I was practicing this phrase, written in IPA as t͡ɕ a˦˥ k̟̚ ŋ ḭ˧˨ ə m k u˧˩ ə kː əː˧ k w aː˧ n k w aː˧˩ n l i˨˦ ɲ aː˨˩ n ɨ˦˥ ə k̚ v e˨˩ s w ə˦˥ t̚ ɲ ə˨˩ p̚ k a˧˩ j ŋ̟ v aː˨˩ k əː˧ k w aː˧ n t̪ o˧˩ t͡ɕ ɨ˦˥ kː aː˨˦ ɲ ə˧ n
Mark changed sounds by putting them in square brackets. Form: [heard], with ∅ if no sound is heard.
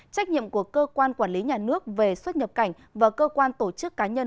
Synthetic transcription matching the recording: t͡ɕ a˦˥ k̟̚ [ɲ] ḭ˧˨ ə m k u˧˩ ə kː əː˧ k w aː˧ n k w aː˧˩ n l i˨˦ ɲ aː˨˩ n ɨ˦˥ ə k̚ v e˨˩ s w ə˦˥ t̚ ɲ ə˨˩ p̚ k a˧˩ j ŋ̟ v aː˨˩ k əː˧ k w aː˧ n t̪ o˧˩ t͡ɕ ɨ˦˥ kː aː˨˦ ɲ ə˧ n